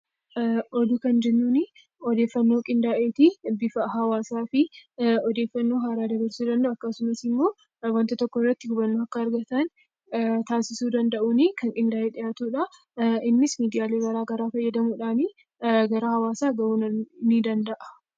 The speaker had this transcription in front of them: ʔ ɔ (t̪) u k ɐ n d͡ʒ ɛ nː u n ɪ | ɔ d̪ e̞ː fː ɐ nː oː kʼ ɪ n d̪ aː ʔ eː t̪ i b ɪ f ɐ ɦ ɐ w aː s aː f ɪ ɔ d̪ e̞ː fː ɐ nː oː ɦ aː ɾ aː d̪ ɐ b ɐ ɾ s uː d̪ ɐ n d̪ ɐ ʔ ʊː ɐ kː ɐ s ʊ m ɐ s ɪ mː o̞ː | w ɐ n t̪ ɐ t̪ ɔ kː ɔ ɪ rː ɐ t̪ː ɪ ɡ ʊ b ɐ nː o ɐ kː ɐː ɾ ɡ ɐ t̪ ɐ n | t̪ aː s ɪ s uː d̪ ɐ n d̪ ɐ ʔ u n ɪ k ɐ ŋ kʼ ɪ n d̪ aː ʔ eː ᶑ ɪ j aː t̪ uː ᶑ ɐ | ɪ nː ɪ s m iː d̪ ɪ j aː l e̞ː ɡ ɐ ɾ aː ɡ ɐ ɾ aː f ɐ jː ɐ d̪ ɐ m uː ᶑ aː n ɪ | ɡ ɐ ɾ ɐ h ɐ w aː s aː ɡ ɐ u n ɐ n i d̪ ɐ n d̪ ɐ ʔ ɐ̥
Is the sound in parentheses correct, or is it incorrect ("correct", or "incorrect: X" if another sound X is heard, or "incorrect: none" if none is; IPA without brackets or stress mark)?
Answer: incorrect: d̪